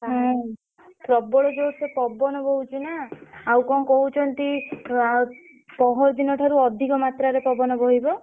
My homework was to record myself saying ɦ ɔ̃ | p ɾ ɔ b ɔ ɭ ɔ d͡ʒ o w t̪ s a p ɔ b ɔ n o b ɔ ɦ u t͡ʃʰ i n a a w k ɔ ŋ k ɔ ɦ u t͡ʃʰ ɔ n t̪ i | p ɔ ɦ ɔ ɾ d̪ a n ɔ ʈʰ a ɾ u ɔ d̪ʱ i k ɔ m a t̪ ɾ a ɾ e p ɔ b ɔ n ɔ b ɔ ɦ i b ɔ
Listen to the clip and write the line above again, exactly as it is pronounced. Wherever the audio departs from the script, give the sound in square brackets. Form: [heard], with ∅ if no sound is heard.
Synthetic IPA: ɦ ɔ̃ | p ɾ ɔ b ɔ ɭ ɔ d͡ʒ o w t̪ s [e] p ɔ b ɔ n [ɔ] b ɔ ɦ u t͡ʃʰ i n a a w k ɔ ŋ k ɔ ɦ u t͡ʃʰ ɔ n t̪ i | p ɔ ɦ ɔ ɾ d̪ [i] n ɔ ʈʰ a ɾ u ɔ d̪ʱ i k ɔ m a t̪ ɾ a ɾ e p ɔ b ɔ n ɔ b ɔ ɦ i b ɔ